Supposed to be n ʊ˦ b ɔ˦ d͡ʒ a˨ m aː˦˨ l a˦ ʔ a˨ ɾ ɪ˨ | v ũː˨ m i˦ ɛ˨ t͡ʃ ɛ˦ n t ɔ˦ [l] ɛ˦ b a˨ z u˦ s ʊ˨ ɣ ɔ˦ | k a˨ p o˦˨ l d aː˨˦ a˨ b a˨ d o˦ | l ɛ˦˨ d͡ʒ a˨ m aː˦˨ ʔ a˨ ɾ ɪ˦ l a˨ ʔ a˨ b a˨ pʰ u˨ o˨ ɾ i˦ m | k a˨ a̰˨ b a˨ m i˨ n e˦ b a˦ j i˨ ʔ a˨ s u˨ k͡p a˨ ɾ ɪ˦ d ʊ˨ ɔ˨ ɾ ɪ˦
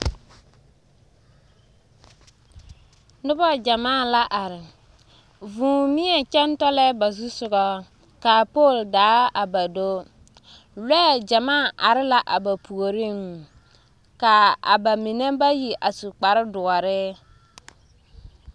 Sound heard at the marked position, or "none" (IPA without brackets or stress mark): l